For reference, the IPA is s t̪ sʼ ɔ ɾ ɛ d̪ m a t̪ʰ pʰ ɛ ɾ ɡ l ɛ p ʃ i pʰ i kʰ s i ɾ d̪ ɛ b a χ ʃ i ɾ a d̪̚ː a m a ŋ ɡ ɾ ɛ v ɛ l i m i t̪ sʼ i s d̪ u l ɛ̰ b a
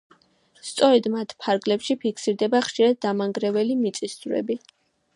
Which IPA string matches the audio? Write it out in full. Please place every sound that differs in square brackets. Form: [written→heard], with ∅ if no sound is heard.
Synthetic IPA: s t̪ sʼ ɔ ɾ ɛ d̪ m a t̪ʰ pʰ [ɛ→a] ɾ ɡ l ɛ p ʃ i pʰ i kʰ s i ɾ d̪ ɛ b a χ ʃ i ɾ a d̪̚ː a m a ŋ ɡ ɾ ɛ v ɛ l i m i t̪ sʼ i s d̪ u [l→ɾ] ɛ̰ b [a→i]